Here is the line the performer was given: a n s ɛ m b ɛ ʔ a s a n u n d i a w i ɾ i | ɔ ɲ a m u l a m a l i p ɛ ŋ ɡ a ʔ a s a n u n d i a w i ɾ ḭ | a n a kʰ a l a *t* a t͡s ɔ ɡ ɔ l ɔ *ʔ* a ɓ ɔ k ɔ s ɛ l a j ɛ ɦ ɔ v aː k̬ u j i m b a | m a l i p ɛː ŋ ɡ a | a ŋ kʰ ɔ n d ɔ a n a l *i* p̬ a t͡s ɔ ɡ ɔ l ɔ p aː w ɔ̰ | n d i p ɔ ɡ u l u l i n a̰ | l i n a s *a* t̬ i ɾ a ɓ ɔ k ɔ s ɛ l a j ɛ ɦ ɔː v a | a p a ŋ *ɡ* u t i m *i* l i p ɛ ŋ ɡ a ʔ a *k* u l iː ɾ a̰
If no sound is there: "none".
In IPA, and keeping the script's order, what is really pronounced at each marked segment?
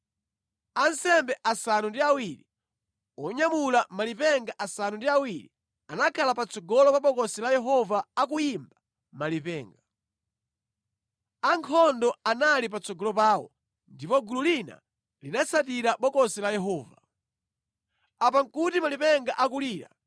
p, p, i, a, k, a, k

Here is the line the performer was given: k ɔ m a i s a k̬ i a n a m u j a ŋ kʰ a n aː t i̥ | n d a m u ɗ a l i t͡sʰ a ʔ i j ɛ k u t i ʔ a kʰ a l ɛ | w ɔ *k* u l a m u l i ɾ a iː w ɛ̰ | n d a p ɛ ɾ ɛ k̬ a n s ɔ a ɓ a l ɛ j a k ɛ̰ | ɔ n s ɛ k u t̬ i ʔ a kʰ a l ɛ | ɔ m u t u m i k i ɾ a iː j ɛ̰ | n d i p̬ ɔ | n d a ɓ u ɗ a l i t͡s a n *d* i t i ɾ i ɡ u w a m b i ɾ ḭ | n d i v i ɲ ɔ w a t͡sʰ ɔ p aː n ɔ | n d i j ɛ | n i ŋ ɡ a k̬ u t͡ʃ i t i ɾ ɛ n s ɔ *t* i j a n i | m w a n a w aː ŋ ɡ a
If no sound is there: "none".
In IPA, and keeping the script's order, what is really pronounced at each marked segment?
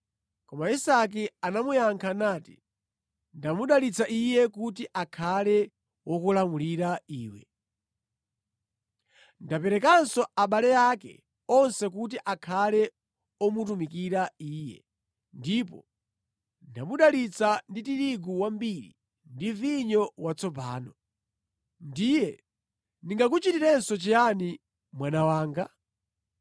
k, d, t͡ʃ

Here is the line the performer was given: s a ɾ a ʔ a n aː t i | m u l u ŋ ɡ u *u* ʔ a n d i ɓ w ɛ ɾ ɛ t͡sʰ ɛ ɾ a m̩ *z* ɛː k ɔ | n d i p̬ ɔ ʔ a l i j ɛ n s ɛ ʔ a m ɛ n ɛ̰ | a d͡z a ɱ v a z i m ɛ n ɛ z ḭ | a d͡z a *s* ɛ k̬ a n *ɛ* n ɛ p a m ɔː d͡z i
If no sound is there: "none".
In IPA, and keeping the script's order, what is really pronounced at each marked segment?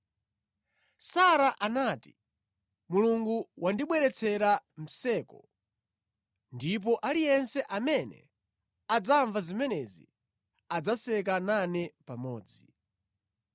w, s, s, a

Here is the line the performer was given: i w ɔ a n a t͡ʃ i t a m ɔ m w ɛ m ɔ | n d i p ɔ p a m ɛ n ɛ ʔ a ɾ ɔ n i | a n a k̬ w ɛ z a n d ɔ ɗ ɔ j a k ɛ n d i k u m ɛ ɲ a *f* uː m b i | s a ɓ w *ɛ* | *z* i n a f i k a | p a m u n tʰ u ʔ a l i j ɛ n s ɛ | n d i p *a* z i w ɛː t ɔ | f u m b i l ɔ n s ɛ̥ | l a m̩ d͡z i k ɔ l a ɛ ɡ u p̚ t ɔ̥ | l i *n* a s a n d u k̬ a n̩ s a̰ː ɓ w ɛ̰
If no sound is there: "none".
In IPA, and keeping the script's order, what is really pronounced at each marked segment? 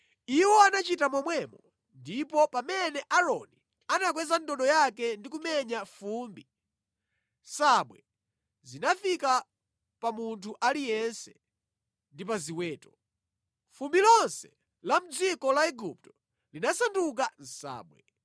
f, ɛ, z, a, n

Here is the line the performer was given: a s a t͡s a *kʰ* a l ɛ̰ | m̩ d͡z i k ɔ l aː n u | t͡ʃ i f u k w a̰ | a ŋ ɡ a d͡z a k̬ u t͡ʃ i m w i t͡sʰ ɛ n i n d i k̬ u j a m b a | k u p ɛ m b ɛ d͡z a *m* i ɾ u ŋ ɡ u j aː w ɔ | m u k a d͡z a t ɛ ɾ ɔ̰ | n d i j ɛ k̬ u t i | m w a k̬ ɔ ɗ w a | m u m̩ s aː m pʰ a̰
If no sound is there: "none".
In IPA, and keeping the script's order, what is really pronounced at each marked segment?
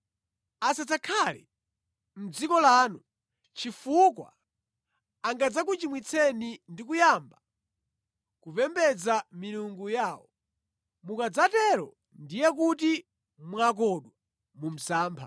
kʰ, m

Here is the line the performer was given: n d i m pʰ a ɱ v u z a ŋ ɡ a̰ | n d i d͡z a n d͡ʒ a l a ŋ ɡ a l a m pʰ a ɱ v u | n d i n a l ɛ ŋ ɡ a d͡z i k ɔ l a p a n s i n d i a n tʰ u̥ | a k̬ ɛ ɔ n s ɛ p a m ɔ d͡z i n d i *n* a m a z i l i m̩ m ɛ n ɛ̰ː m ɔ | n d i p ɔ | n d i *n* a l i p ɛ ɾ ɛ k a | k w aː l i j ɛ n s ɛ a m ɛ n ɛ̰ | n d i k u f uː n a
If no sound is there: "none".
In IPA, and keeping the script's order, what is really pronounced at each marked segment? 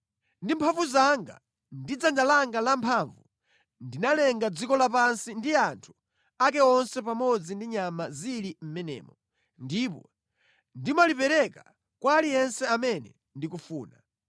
ɲ, m

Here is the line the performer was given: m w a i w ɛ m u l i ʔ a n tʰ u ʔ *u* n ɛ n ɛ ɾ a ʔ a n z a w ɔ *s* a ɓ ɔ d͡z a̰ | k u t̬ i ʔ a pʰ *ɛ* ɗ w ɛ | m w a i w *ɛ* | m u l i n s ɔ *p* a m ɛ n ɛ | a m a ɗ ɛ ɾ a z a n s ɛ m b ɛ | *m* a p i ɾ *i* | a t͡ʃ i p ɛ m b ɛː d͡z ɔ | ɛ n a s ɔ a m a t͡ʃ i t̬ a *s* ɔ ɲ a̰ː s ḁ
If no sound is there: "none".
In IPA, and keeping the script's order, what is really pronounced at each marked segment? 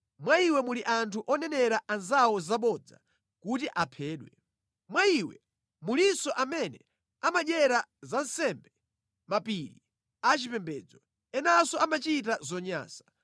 ɔ, z, ɛː, ɛ, ʔ, m, i, z

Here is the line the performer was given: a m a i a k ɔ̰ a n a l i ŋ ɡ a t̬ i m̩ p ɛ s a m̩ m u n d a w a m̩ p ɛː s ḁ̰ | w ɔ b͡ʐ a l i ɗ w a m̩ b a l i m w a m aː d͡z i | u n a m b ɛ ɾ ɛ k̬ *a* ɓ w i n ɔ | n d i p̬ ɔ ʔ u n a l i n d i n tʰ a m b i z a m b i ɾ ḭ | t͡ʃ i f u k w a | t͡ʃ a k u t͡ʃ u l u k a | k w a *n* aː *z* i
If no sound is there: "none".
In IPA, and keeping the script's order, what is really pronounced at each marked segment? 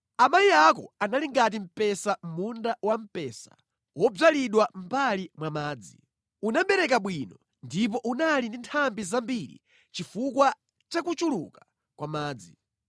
a, m, d͡z

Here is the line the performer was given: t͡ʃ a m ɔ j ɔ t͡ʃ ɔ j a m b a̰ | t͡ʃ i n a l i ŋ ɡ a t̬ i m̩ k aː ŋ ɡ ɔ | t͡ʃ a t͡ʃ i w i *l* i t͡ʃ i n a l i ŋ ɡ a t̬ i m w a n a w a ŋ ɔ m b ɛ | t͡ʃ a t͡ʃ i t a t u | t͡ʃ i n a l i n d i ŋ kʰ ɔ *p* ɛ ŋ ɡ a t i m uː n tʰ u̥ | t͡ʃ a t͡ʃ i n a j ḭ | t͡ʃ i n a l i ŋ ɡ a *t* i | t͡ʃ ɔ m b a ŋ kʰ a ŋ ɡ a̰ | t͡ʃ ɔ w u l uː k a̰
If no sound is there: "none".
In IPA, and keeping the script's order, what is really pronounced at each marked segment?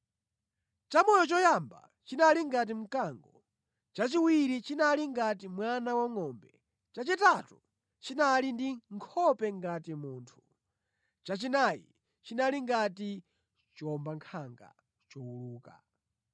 ɾ, p, t

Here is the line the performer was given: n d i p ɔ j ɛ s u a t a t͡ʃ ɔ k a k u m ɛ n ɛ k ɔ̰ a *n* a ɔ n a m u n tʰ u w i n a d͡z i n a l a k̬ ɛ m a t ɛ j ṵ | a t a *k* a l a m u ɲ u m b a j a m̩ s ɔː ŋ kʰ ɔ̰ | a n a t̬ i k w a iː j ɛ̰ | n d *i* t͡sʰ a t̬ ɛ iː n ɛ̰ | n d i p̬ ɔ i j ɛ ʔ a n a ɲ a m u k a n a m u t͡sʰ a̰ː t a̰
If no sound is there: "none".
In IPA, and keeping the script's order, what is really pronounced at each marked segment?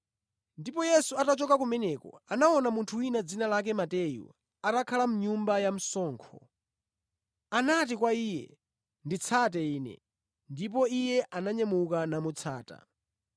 n, kʰ, i

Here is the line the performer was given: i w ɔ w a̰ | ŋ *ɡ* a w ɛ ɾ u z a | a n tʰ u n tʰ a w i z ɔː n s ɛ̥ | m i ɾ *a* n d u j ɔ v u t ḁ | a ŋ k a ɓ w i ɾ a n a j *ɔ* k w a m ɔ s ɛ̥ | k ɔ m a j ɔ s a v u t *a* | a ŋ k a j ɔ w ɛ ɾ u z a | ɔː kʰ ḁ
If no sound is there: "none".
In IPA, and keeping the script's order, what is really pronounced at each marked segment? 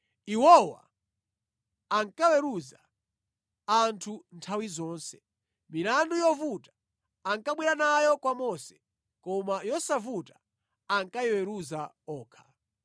k, a, ɔ, a

